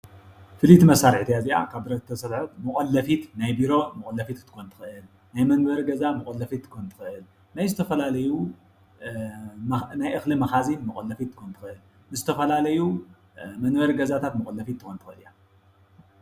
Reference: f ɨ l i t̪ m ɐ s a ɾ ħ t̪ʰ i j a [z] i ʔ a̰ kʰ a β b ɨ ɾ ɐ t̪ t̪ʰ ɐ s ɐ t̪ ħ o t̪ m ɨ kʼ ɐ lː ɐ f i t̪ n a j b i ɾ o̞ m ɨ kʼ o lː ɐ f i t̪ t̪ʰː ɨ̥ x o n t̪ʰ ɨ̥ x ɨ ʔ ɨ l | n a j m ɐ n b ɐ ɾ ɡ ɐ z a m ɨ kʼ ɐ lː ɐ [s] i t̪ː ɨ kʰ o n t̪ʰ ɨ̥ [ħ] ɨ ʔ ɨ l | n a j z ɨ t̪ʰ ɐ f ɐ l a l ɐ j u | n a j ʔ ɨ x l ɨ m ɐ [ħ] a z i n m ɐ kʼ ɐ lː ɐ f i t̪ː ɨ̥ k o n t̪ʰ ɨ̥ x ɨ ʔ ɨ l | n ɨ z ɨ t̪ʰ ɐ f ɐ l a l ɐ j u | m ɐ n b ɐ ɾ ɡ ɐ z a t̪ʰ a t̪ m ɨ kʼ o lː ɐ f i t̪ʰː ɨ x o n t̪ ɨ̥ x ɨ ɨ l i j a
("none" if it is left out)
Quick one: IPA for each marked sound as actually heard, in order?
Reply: z, f, x, x

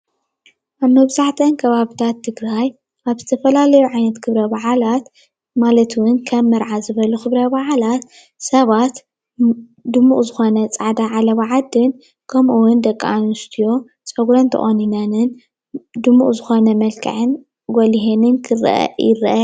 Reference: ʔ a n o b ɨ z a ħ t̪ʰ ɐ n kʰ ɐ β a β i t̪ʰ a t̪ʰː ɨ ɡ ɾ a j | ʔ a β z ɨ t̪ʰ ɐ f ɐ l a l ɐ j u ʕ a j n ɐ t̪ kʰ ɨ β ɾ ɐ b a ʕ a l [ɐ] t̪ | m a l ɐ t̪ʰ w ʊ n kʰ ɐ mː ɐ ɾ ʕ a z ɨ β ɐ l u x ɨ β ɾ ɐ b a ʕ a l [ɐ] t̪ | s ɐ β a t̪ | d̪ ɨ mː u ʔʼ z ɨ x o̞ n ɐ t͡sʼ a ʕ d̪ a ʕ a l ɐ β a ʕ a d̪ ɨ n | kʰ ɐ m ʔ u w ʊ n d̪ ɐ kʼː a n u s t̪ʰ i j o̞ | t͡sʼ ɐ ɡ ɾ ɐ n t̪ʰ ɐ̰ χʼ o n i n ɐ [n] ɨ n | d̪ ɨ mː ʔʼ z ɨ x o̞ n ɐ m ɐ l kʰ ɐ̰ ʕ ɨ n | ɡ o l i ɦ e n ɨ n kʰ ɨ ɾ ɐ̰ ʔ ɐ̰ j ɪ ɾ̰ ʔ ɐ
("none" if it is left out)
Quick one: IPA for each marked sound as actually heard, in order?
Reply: a, a, n

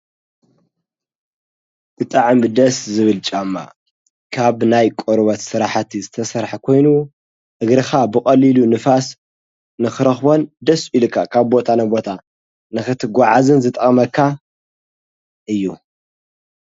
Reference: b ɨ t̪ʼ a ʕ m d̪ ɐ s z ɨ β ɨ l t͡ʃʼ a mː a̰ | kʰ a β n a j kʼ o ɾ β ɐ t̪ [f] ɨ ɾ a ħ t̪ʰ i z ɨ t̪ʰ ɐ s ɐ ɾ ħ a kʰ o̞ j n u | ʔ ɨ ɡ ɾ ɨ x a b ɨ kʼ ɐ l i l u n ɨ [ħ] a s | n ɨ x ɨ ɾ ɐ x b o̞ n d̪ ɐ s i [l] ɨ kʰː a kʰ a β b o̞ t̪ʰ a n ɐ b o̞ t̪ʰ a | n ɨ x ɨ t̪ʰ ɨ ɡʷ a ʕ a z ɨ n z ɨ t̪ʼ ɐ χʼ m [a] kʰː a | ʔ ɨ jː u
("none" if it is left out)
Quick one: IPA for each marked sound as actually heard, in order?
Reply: s, f, l, ɐ

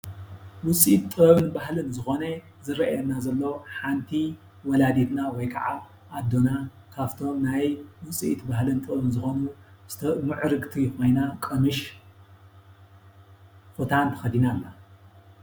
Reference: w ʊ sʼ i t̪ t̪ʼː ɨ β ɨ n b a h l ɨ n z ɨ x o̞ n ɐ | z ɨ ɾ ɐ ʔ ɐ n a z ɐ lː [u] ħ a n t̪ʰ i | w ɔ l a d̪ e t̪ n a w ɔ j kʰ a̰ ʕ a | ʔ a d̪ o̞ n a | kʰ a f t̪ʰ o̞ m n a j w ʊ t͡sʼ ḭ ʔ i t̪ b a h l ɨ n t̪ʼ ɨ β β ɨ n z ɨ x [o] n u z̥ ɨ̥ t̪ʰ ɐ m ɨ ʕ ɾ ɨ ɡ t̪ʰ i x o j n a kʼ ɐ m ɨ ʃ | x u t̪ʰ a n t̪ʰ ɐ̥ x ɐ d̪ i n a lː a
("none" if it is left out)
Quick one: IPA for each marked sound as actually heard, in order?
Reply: o, o

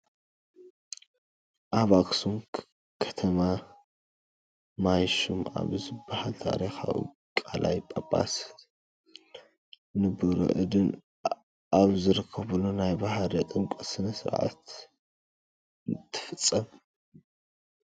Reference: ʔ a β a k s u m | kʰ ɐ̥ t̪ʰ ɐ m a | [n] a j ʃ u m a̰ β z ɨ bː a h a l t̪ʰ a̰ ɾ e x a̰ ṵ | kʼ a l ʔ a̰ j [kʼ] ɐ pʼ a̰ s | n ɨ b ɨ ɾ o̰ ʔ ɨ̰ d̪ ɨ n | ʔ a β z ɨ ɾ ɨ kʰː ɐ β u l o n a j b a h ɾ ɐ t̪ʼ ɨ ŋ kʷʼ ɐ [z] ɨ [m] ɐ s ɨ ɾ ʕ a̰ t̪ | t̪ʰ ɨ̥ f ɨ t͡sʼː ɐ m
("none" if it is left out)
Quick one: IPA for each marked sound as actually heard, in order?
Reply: m, pʼ, s, n

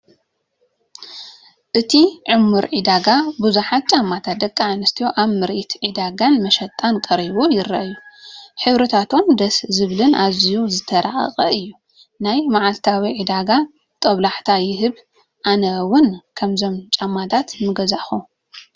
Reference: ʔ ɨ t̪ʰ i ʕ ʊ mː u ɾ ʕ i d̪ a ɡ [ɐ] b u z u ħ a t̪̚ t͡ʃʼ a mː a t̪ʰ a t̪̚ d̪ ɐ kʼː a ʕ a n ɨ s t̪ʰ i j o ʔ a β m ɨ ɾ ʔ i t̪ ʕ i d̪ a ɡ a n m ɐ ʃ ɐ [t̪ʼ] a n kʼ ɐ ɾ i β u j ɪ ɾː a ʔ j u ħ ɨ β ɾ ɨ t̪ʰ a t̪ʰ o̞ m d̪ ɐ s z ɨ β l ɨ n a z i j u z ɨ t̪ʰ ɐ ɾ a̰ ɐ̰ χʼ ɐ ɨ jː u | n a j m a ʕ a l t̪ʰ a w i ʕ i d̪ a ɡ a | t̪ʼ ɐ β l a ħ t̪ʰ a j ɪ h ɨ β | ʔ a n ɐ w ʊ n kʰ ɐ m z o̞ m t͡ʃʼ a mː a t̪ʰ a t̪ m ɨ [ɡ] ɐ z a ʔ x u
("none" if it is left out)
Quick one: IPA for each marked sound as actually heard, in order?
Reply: a, t̪ʼ, ɡ

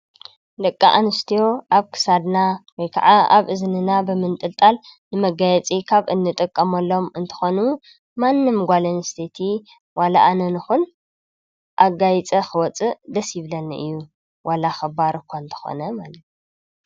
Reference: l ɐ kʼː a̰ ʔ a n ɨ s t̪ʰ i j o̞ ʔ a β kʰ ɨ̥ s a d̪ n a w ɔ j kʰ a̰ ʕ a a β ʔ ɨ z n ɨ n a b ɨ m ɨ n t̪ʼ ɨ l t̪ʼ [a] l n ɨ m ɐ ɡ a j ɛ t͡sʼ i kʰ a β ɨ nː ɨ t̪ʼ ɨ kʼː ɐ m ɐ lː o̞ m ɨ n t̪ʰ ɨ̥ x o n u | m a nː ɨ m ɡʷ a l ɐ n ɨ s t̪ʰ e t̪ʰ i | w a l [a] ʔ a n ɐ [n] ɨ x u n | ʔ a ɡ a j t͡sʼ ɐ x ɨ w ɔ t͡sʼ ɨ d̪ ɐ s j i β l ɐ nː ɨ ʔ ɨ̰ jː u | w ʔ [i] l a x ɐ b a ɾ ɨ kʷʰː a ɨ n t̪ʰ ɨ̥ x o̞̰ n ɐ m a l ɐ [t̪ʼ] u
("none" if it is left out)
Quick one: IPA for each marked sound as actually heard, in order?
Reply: a, a, n, a, t̪

